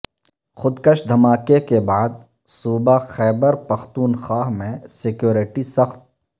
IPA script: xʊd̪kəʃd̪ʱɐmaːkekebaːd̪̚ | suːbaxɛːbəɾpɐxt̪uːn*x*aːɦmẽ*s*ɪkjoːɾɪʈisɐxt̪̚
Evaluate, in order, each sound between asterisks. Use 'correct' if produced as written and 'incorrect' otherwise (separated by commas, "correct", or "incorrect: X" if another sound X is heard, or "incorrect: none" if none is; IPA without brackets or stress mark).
correct, correct